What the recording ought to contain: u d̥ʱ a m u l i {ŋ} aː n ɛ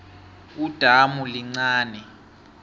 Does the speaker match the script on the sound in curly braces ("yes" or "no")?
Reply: no